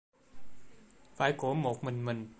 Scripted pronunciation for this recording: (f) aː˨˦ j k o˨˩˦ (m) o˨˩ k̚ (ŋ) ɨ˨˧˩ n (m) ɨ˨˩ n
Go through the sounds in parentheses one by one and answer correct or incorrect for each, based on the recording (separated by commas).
correct, correct, incorrect, correct